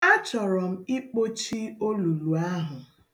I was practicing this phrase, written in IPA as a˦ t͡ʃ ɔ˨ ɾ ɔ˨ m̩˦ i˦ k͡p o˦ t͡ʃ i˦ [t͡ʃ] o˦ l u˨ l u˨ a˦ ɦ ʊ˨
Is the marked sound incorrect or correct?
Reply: incorrect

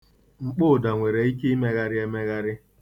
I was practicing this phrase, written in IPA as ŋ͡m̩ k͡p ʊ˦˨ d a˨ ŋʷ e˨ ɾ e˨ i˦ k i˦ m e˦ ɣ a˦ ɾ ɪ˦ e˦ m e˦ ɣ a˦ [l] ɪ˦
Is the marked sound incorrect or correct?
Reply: incorrect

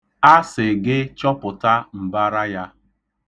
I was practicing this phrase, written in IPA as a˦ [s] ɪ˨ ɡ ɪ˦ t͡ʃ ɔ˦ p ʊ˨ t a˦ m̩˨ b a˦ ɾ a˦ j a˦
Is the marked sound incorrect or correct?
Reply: correct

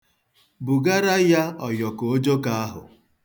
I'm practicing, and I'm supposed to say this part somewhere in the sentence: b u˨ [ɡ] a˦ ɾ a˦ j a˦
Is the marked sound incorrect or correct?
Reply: correct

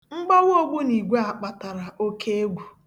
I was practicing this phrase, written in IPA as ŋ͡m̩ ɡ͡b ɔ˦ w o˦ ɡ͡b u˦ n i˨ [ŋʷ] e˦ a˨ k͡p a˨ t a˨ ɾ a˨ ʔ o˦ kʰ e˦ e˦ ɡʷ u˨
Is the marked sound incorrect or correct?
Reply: incorrect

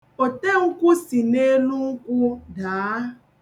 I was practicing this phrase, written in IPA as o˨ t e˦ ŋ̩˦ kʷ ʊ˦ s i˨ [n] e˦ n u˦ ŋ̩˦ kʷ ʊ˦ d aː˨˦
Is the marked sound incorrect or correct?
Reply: correct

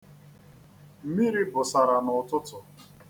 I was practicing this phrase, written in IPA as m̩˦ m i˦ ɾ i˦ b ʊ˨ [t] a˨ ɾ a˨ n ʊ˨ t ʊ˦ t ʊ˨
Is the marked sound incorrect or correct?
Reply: incorrect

